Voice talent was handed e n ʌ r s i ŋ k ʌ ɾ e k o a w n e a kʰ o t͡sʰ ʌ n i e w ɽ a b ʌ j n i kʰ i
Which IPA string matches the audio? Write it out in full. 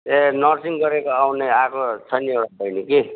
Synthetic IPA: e n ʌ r s i ŋ ɡ ʌ ɾ e k o a w n e a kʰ o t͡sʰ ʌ n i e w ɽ a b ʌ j n i k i